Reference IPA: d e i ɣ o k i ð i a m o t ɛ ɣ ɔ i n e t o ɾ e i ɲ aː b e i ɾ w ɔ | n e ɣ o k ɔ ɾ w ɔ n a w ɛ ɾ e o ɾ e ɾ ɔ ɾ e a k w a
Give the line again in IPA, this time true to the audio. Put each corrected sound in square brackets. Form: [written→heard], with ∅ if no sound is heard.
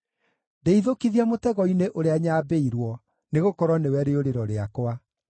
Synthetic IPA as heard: d e i [ɣ→ð] o k i ð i a m o t ɛ ɣ ɔ i n e [t→ʔ] o ɾ e [i→a] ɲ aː b e i ɾ w ɔ | n e ɣ o k ɔ ɾ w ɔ n [a→e] w ɛ ɾ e o ɾ e ɾ ɔ ɾ e a k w a